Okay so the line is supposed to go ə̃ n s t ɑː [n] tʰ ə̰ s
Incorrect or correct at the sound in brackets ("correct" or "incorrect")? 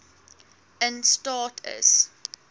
incorrect